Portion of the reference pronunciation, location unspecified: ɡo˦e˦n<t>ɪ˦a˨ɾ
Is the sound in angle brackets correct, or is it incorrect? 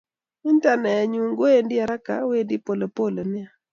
incorrect